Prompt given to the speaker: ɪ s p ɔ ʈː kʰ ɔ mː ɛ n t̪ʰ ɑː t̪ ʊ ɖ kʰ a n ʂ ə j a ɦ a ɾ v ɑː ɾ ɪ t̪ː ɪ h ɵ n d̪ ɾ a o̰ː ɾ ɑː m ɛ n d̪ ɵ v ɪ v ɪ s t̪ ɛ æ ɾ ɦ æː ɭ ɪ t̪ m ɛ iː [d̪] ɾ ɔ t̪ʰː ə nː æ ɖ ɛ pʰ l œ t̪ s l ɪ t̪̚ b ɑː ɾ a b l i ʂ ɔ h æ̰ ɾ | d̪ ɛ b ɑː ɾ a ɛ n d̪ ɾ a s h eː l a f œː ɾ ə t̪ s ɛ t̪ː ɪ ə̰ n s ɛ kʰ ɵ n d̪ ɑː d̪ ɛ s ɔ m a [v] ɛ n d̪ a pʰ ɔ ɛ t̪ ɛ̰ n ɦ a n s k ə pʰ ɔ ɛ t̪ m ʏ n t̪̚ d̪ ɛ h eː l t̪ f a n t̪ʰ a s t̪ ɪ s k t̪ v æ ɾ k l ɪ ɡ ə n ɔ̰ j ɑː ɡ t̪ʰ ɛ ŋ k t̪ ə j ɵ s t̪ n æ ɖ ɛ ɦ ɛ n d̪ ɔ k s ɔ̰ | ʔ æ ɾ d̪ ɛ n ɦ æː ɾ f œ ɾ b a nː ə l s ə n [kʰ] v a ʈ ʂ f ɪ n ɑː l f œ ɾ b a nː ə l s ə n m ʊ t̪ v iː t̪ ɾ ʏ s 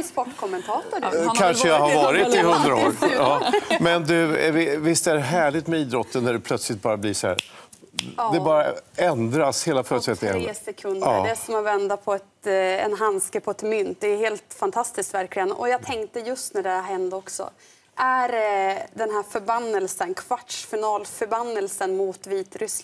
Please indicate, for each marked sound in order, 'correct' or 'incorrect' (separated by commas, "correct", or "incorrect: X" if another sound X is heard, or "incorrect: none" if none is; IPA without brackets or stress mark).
correct, correct, correct